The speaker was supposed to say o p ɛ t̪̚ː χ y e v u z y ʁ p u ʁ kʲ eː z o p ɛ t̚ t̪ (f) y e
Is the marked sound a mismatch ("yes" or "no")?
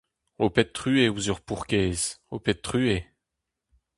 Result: yes